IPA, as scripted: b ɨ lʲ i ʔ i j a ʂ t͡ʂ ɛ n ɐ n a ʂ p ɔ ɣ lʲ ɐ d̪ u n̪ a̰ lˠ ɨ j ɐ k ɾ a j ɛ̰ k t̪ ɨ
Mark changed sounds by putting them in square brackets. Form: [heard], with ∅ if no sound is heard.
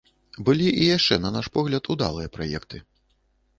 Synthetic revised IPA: b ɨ lʲ i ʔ i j a ʂ t͡ʂ ɛ n ɐ n a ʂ p ɔ ɣ lʲ ɐ [t̪] u [d̪] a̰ lˠ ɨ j ɐ [p] ɾ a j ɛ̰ k t̪ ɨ